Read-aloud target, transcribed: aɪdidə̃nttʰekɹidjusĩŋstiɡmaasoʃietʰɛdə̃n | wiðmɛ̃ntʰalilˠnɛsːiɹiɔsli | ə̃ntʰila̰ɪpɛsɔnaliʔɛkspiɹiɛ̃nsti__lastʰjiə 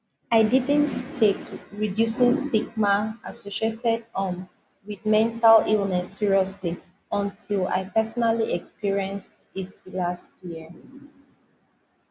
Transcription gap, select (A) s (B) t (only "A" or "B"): B